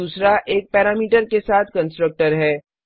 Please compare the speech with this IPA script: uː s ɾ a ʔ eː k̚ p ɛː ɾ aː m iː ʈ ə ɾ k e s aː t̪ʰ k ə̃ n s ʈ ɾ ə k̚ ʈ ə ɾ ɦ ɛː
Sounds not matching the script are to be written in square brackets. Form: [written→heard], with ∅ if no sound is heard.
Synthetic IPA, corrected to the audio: uː s ɾ a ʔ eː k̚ p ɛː ɾ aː m iː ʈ ə ɾ k e s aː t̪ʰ k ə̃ n s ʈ ɾ ə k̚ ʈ ə ɾ ɦ ɛː